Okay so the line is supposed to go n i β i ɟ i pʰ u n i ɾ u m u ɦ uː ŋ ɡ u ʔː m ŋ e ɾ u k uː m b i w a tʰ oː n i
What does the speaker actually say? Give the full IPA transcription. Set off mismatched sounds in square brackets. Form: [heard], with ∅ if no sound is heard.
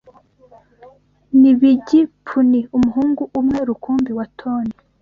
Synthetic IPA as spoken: n i β i ɟ i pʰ u n i [∅] u m u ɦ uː ŋ ɡ u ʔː m ŋ e ɾ u k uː m b i w a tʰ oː n i